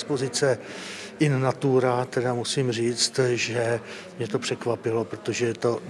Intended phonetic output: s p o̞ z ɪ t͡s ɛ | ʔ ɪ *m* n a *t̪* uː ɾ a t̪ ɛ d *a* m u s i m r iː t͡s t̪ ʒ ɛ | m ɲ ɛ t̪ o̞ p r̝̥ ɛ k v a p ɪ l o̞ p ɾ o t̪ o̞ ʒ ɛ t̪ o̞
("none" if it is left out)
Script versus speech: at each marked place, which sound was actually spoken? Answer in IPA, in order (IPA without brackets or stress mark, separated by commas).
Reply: n, t̪, a